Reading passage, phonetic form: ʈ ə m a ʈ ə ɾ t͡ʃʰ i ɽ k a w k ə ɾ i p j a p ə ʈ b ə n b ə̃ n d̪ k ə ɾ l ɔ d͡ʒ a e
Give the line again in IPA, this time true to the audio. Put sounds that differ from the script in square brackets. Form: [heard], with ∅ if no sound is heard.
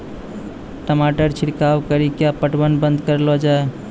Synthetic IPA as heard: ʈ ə m a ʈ ə ɾ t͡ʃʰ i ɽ k a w k ə ɾ i [k] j a p ə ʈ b ə n b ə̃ n d̪ k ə ɾ l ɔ d͡ʒ a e